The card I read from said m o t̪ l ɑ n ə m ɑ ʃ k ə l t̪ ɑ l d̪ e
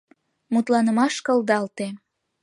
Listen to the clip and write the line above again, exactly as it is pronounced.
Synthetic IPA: m u t̪ l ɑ n ə m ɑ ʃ k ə l d̪ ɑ l t̪ e